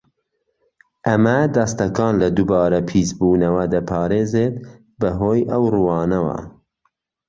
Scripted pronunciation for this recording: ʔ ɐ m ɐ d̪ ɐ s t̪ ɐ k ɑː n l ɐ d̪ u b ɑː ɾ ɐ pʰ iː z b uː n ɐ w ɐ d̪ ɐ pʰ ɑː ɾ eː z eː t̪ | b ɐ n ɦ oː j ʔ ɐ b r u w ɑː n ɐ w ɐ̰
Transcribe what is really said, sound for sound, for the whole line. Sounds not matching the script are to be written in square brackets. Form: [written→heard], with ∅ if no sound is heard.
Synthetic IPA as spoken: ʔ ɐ m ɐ d̪ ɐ s t̪ ɐ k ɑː n l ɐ d̪ u b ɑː ɾ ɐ pʰ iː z b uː n ɐ w ɐ d̪ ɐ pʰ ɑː ɾ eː z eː t̪ | b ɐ [n→∅] ɦ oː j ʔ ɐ [b→w] r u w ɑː n ɐ w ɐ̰